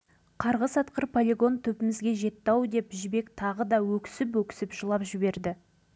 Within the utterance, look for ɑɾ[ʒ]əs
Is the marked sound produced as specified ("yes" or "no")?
no